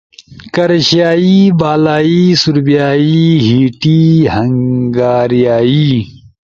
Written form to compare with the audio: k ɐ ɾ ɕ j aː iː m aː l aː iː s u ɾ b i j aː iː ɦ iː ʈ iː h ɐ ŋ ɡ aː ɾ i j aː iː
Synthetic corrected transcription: k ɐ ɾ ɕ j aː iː b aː l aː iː s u ɾ b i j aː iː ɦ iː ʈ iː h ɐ ŋ ɡ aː ɾ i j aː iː